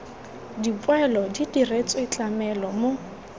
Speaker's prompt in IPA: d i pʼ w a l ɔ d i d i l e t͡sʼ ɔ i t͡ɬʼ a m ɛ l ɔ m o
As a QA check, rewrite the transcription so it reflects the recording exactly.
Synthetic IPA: d i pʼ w ɛ l ɔ d i d i r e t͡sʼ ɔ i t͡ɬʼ a m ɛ l ɔ m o